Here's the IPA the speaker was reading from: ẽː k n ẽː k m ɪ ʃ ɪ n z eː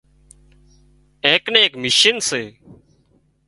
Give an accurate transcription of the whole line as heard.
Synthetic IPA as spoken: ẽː k n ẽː k m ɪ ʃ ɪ n s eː